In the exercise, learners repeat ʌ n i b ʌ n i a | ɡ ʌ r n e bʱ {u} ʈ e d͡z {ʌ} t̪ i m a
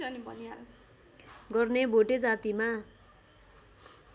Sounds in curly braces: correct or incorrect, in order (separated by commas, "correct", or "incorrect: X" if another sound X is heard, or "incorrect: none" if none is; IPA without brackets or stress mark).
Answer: incorrect: o, incorrect: a